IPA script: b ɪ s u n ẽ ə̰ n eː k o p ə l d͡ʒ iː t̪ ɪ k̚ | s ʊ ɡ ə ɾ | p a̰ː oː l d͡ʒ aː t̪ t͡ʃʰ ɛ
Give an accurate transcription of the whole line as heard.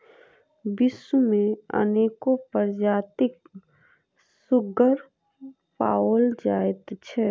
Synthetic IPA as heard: b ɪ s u m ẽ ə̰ n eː k o p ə ɾ d͡ʒ aː t̪ ɪ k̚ | s ʊ ɡ ə ɾ | p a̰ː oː l d͡ʒ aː t̪ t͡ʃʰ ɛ

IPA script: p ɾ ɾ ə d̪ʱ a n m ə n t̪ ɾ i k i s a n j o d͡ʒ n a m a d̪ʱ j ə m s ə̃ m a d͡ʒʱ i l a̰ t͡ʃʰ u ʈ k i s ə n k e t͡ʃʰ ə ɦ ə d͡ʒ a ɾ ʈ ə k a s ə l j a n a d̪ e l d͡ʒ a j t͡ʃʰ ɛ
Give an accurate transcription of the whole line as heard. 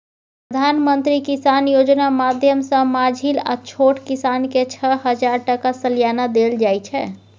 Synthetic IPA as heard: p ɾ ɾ ə d̪ʱ a n m ə n t̪ ɾ i k i s a n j o d͡ʒ n a m a d̪ʱ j ə m s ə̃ m a d͡ʒʱ i l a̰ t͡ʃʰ o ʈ k i s a n k e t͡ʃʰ ə ɦ ə d͡ʒ a ɾ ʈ ə k a s ə l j a n a d̪ e l d͡ʒ a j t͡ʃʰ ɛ

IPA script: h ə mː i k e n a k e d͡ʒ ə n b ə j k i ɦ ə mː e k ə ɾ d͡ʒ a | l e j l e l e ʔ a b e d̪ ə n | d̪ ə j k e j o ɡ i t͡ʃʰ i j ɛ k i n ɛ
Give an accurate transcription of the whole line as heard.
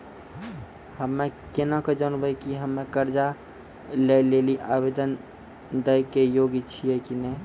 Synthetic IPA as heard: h ə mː e k e n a k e d͡ʒ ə n b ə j k i ɦ ə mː e k ə ɾ d͡ʒ a | l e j l e l i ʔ a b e d̪ ə n | d̪ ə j k e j o ɡ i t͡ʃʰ i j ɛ k i n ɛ

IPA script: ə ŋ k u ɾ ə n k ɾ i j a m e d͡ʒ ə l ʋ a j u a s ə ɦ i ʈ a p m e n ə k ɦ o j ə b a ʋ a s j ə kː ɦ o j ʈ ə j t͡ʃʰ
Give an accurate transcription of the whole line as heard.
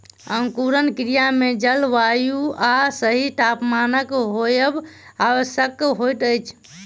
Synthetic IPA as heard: ə ŋ k u ɾ ə n k ɾ i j a m e d͡ʒ ə l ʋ a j u a s ə ɦ i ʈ a p m a n ə k ɦ o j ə b a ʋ ə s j ə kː ɦ o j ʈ ə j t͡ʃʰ

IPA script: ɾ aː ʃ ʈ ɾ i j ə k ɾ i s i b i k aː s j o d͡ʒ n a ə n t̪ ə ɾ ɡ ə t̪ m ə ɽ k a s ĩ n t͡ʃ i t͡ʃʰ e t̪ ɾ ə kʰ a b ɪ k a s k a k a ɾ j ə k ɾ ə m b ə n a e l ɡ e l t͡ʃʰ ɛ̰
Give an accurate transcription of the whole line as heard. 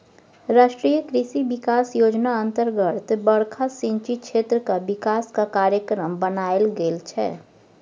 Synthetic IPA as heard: ɾ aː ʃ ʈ ɾ i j ə k ɾ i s i b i k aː s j o d͡ʒ n a ə n t̪ ə ɾ ɡ ə t̪ b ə ɽ kʰ a s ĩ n t͡ʃ i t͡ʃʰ e t̪ ɾ ə k a b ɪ k a s k a k a ɾ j ə k ɾ ə m b ə n a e l ɡ e l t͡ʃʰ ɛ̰

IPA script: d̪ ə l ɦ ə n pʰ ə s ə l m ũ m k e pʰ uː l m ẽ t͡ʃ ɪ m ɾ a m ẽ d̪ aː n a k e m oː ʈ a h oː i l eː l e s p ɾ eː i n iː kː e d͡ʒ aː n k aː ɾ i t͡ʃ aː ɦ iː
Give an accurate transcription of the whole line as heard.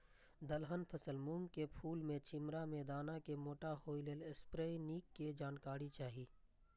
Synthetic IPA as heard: d̪ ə l ɦ ə n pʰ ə s ə l m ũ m k e pʰ uː l m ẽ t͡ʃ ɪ m ɾ a m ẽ d̪ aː n a k e m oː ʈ a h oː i l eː l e s p ɾ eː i n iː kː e d͡ʒ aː n k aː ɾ i t͡ʃ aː ɦ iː

